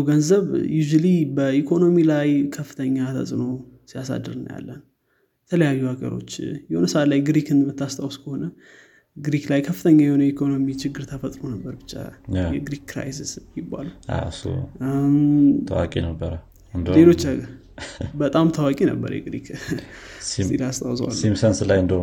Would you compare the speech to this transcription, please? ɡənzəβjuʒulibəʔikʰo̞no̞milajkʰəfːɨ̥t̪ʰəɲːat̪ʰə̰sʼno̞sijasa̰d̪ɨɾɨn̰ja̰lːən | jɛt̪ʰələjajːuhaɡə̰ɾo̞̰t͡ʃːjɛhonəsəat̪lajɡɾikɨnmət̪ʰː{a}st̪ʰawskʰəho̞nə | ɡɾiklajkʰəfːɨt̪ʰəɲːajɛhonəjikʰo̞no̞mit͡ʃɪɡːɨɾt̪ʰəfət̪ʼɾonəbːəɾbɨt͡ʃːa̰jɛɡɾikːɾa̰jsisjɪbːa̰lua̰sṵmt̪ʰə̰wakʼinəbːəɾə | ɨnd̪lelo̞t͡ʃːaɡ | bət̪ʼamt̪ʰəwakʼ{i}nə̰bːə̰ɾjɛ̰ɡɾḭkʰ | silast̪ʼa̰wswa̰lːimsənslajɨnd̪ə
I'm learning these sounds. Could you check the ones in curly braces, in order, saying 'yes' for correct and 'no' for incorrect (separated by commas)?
yes, yes